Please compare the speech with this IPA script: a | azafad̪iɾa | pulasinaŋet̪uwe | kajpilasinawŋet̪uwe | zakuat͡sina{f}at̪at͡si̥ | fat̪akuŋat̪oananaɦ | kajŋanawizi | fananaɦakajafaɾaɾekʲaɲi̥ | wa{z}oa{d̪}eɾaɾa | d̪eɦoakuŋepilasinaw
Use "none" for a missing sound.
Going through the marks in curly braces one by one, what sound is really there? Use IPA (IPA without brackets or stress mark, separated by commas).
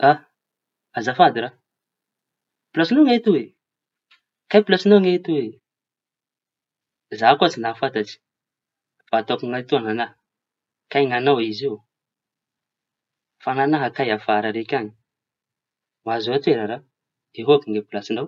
f, z, t̪